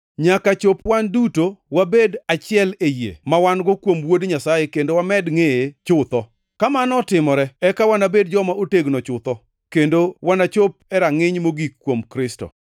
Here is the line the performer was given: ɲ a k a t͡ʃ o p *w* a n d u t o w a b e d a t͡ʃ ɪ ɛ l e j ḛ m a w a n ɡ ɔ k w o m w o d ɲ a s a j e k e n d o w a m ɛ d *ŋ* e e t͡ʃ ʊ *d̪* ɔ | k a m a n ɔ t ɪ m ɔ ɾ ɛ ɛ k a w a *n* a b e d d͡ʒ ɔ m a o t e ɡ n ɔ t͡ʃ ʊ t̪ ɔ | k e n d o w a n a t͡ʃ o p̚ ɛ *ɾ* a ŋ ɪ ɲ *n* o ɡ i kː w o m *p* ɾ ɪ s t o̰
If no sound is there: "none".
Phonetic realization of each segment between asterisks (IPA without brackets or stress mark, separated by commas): w, ŋ, t̪, n, ɾ, m, k